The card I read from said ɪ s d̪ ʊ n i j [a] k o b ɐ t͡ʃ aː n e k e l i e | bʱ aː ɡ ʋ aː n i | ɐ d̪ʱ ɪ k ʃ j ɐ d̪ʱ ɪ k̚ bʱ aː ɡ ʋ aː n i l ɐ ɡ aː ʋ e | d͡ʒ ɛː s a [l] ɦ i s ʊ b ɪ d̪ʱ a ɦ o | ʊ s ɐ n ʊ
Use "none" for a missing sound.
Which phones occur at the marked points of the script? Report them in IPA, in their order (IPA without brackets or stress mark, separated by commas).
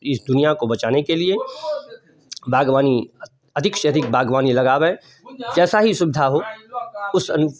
a, none